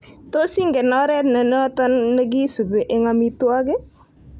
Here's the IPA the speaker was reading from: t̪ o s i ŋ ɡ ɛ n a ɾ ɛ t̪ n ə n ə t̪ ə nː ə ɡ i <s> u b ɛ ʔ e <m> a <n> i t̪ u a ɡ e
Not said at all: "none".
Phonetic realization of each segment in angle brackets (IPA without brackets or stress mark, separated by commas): s, ŋ, m